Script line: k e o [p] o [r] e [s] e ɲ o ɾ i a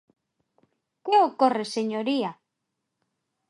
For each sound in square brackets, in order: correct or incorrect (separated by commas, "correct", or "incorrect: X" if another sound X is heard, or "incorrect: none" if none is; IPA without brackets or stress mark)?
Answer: incorrect: k, correct, correct